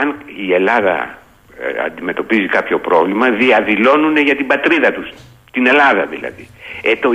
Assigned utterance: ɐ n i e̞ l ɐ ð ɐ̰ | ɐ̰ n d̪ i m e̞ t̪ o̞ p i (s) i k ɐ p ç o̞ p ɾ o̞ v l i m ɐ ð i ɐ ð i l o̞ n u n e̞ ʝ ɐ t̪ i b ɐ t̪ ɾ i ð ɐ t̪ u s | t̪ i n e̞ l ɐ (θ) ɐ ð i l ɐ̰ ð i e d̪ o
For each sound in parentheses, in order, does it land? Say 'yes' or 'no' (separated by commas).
no, no